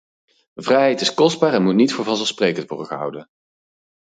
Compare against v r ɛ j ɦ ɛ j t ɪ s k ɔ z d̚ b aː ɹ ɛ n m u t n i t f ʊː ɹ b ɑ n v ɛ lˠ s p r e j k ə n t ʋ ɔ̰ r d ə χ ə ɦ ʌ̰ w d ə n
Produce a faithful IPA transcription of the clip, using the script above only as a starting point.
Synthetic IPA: v r ɛ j ɦ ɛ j t ɪ s k ɔ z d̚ b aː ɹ ɛ n m u t n i t f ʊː ɹ v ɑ n z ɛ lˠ s p r e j k ə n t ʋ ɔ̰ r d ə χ ə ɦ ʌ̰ w d ə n